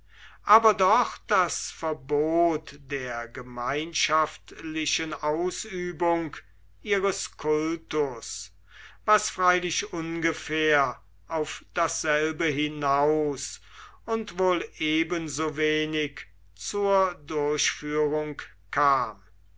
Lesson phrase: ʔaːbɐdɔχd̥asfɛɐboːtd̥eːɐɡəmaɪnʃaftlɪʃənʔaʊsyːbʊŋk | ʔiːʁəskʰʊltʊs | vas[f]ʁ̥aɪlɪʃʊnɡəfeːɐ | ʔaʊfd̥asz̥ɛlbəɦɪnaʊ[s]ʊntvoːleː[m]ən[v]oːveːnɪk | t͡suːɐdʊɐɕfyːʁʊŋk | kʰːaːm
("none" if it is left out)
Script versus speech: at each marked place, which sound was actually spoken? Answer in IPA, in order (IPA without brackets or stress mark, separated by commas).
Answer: f, s, b, z